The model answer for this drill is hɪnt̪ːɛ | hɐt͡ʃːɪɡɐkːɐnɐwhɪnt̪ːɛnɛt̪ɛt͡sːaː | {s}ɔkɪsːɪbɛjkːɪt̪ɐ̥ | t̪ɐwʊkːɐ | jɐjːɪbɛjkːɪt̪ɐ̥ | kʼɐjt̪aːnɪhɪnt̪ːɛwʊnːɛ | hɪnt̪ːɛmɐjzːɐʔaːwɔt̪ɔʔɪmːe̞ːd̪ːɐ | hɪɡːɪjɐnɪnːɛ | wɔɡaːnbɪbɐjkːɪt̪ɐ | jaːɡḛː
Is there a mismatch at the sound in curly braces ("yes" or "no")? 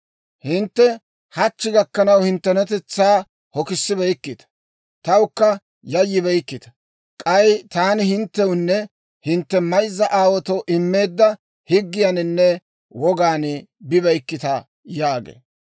yes